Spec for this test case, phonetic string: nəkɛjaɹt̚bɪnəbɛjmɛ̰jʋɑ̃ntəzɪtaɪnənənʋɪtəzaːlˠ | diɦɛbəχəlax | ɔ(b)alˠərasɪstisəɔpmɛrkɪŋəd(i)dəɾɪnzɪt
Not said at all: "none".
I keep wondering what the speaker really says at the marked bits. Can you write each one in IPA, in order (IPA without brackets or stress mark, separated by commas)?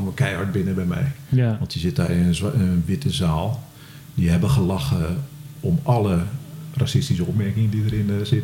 m, i